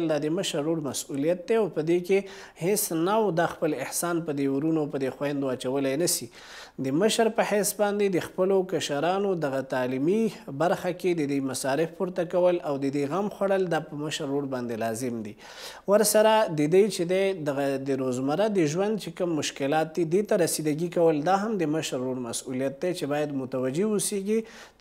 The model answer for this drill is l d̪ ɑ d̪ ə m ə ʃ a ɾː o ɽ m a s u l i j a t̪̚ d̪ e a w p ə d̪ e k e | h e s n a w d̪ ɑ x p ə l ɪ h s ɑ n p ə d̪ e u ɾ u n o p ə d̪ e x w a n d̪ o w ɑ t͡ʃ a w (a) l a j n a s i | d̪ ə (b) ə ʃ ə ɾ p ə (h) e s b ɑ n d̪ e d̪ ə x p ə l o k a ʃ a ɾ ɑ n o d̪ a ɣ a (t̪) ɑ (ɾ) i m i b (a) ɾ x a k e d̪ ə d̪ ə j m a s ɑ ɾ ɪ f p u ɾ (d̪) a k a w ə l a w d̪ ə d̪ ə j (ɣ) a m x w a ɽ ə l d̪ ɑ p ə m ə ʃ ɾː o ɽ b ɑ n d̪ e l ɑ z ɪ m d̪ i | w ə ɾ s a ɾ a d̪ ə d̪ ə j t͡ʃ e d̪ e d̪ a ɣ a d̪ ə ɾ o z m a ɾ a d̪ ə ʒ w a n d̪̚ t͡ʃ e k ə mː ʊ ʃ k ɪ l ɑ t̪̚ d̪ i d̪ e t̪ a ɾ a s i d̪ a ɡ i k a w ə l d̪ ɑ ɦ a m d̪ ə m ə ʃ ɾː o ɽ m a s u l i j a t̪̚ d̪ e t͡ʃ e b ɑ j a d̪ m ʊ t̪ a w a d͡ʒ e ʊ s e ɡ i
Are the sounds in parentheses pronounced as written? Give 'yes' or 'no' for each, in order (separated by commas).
no, no, yes, yes, no, yes, no, yes